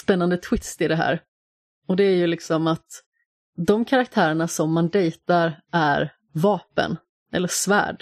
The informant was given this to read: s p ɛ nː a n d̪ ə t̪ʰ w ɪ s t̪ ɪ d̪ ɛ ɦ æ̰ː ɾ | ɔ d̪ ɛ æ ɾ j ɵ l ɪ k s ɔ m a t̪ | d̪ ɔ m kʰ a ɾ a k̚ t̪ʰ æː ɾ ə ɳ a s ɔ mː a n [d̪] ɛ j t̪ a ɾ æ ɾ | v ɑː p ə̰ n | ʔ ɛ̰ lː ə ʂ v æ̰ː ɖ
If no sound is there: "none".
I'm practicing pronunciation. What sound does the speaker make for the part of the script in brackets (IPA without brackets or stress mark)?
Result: d̪